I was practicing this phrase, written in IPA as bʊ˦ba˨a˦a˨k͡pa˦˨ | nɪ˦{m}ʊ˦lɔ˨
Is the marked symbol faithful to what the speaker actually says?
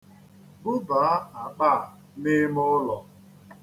yes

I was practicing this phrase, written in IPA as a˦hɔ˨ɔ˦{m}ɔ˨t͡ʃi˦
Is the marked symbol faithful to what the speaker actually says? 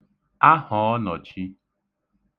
no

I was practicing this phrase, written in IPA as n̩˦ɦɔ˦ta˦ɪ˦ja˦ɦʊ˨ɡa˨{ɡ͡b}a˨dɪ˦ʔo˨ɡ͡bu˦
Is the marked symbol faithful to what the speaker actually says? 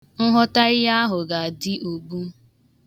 no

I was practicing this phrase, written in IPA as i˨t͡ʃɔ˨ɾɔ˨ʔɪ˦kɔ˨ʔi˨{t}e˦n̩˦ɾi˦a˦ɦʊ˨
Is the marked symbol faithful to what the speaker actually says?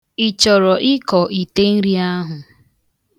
yes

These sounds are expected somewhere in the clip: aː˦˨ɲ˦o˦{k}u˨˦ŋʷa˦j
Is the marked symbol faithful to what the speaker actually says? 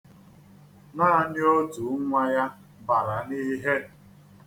no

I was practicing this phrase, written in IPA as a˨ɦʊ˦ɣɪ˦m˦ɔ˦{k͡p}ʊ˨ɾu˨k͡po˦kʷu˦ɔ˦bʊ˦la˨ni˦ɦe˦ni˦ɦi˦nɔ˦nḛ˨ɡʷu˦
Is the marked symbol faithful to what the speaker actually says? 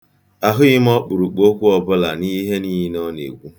yes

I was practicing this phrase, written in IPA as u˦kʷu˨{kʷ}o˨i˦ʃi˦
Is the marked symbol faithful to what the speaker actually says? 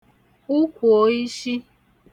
no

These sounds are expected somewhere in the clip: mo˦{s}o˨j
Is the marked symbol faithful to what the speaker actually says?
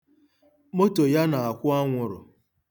no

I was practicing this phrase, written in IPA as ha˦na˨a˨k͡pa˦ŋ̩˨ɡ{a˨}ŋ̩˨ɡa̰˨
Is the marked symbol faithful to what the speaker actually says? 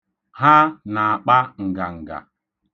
yes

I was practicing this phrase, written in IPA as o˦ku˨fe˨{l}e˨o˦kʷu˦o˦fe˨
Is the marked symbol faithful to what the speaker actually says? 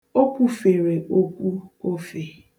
no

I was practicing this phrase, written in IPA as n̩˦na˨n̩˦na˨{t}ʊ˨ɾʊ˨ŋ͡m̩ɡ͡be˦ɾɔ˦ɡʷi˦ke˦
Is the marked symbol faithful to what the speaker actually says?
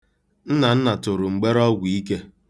yes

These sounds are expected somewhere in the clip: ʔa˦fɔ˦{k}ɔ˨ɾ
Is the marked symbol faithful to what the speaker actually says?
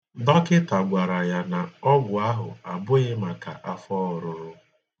no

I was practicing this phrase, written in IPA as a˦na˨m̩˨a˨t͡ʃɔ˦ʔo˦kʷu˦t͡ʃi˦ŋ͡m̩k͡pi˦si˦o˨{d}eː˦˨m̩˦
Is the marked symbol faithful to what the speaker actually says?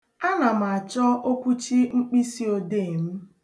yes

